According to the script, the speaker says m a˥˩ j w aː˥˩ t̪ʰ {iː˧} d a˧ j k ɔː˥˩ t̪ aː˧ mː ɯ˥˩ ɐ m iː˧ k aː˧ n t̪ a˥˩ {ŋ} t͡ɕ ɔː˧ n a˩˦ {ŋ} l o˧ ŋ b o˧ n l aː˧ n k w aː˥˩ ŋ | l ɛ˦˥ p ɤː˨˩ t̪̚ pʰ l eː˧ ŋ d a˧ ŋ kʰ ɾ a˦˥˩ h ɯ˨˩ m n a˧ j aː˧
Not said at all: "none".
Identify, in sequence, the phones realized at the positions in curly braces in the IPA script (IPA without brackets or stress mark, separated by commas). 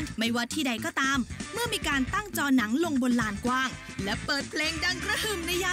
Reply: iː˥˩, ŋ, ŋ